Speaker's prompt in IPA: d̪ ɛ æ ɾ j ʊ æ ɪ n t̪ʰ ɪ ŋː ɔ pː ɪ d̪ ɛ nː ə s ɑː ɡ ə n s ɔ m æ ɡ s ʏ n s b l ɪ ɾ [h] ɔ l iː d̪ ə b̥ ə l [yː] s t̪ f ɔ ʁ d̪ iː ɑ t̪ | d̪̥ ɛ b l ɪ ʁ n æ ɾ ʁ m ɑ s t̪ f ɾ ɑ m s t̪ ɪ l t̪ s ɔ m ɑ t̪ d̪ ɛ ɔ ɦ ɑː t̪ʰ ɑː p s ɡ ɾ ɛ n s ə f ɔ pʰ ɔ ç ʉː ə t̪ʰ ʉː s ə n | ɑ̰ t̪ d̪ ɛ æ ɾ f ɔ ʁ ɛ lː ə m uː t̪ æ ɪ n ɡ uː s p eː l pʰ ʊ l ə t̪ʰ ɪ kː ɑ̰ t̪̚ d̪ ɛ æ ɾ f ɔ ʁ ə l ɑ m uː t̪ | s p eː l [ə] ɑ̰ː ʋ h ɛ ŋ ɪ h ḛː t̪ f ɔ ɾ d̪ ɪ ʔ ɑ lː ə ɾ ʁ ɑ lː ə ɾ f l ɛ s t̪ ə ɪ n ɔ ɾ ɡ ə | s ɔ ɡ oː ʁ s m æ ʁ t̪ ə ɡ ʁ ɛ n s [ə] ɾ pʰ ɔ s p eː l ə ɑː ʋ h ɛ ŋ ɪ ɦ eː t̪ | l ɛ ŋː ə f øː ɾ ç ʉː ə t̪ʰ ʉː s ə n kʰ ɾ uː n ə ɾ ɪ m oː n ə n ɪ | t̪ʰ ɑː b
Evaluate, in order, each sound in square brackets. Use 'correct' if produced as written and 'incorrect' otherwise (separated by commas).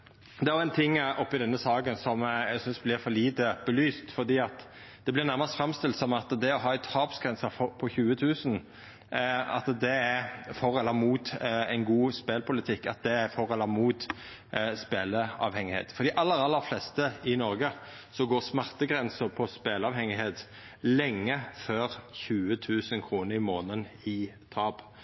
incorrect, correct, correct, correct